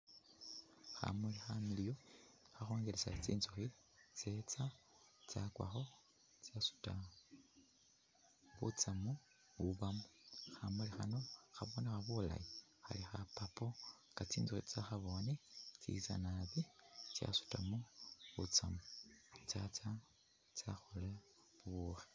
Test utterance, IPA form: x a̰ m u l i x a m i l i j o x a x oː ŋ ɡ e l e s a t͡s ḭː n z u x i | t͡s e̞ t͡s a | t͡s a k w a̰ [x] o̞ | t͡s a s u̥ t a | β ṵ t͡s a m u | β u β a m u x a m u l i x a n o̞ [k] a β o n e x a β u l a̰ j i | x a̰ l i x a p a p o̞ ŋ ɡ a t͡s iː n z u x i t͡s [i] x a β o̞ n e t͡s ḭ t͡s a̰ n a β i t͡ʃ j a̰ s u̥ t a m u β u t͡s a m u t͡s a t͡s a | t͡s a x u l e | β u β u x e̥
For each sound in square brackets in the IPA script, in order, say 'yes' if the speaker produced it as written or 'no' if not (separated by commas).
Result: yes, no, no